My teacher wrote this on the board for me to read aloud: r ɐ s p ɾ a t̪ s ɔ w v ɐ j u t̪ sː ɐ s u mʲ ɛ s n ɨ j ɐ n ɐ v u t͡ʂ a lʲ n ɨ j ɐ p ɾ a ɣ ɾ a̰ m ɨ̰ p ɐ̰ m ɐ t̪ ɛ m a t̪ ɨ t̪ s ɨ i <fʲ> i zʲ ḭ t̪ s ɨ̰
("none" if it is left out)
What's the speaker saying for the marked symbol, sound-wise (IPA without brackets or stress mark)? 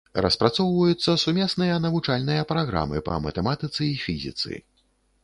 fʲ